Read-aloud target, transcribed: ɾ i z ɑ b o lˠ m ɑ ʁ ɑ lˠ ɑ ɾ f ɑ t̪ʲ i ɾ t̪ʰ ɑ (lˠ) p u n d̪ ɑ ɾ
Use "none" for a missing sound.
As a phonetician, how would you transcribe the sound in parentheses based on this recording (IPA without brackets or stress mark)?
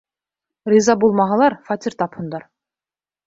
none